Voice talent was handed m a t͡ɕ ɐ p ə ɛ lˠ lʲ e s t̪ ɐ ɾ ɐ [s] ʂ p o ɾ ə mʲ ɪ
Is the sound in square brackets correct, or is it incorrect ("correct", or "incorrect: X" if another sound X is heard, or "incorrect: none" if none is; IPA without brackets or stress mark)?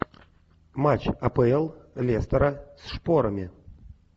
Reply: correct